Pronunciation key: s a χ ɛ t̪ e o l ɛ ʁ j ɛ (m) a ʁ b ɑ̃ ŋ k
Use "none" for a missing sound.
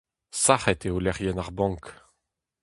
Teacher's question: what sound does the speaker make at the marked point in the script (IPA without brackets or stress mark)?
n